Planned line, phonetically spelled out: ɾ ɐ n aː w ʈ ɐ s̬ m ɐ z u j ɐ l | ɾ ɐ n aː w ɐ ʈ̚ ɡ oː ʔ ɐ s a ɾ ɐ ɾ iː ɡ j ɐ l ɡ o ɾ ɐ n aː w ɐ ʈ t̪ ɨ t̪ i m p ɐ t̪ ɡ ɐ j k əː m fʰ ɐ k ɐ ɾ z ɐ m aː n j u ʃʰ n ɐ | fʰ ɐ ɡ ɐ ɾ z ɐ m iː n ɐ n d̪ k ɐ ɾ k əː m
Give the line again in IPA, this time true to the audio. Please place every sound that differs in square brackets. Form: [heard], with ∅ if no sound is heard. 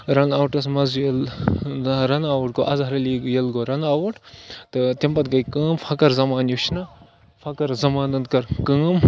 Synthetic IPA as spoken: ɾ ɐ n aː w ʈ ɐ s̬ m ɐ z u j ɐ l | ɾ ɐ n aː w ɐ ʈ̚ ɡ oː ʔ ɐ [z] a ɾ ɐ [l] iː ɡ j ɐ l ɡ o ɾ ɐ n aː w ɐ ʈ t̪ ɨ t̪ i m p ɐ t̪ ɡ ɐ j k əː m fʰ ɐ k ɐ ɾ z ɐ m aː n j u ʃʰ n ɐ | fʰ ɐ [k] ɐ ɾ z ɐ m [aː] n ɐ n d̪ k ɐ ɾ k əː m